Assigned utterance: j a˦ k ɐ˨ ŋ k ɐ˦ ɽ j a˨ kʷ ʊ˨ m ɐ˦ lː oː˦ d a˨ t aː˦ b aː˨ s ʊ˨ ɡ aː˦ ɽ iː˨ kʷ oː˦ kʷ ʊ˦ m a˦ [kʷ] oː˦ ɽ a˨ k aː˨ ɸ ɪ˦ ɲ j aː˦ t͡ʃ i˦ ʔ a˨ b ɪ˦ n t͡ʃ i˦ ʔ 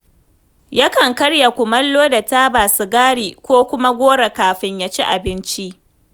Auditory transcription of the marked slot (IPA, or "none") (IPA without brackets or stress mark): ɡʷ